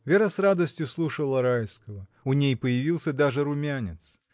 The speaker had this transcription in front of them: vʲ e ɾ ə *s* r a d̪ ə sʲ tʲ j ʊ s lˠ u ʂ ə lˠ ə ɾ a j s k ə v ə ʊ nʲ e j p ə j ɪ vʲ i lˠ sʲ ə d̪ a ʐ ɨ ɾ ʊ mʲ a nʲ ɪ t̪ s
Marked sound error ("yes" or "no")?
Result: no